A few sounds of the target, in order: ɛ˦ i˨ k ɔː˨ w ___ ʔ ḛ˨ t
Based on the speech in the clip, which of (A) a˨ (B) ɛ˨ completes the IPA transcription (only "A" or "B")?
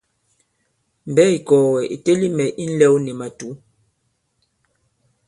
B